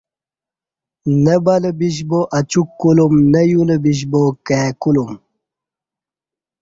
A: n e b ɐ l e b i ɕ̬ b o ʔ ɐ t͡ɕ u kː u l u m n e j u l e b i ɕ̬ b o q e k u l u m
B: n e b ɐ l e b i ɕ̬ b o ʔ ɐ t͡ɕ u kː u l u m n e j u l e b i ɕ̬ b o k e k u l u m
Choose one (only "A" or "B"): B